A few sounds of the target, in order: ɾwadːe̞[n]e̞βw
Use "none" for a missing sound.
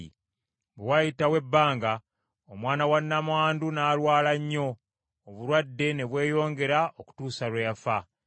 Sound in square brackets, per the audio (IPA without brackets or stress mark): n